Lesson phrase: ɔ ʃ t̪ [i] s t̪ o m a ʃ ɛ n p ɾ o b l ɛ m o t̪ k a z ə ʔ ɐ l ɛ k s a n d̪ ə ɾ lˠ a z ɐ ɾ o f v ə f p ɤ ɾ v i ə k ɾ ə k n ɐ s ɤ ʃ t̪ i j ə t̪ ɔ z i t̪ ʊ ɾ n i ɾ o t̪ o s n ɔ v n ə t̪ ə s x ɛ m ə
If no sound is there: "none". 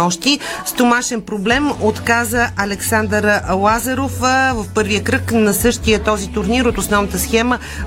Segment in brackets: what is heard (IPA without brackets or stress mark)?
i